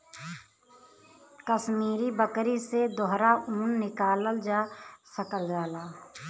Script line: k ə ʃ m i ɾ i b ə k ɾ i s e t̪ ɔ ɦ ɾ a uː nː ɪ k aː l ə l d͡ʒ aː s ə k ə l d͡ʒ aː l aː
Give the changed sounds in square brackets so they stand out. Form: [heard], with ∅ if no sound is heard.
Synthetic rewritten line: k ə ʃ m [iː] ɾ i b ə k ɾ i s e [d̪] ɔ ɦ ɾ a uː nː ɪ k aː l ə l d͡ʒ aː s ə k ə l d͡ʒ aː l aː